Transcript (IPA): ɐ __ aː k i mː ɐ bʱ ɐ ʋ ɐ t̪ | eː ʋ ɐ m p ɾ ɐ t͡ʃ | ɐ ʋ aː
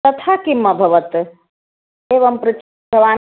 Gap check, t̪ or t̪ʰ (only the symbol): t̪ʰ